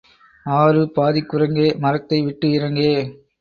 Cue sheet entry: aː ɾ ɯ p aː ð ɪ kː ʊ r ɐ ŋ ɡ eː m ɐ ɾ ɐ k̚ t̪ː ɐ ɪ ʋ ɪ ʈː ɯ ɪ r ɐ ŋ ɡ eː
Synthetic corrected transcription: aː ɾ ɯ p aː ð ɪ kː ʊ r ɐ ŋ ɡ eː m ɐ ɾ ɐ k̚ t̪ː ɐ ɪ ʋ ɪ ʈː ɯ ɪ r ɐ ŋ ɡ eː